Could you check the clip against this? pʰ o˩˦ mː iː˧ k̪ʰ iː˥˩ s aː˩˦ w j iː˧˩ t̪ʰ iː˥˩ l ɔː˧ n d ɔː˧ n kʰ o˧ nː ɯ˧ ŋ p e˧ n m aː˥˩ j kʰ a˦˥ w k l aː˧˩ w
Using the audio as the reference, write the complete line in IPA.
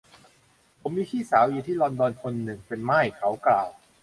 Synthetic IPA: pʰ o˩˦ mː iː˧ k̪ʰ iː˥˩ s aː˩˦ w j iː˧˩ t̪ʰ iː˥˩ l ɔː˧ n d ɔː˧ n kʰ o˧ nː ɯ˨˩ ŋ p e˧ n m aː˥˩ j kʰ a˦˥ w k l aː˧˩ w